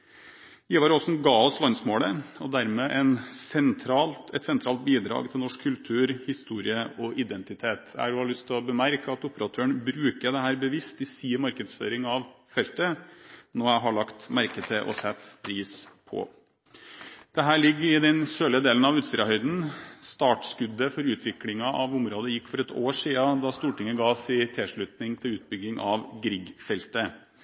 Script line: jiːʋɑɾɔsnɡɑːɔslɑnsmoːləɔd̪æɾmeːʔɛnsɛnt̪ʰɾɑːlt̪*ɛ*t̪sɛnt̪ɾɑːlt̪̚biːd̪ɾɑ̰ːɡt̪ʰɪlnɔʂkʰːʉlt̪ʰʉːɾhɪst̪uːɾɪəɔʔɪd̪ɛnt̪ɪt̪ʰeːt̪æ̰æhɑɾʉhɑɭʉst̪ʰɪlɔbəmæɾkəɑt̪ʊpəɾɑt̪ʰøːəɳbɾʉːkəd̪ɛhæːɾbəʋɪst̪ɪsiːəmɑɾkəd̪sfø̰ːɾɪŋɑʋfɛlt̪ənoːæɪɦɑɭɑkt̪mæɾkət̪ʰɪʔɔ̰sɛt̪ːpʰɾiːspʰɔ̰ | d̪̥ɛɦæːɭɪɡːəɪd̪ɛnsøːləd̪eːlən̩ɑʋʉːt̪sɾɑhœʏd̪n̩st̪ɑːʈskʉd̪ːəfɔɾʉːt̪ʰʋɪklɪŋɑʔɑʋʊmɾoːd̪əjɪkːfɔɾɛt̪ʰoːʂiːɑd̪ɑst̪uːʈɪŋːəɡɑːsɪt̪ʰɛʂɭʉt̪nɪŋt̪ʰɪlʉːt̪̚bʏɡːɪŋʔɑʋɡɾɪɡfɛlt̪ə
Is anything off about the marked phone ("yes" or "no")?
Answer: no